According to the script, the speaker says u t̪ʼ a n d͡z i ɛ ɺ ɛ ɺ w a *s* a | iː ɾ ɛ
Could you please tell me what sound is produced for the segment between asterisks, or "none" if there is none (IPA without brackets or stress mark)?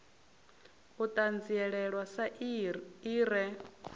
s